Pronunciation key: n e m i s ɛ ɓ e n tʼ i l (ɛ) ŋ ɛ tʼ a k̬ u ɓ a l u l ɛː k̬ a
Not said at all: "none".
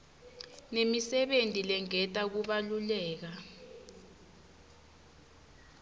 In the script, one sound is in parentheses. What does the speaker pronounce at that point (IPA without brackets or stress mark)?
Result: ɛ